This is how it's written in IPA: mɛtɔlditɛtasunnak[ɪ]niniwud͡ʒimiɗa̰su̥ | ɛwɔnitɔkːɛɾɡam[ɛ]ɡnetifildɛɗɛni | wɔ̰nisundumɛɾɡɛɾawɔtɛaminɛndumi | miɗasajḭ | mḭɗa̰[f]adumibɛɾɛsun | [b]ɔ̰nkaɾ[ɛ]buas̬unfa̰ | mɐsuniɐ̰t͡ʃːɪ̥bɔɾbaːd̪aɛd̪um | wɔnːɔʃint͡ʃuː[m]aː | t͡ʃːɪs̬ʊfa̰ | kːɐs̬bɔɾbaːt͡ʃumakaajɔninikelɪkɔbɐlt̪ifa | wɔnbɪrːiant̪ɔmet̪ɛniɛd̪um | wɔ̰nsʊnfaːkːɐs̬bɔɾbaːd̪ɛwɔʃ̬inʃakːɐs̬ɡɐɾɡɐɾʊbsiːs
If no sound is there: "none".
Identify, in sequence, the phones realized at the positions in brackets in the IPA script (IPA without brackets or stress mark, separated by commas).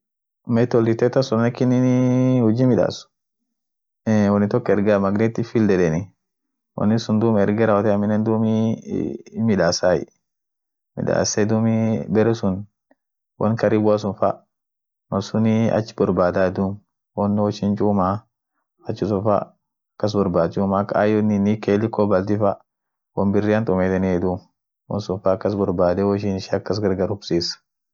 i, a, s, w, i, m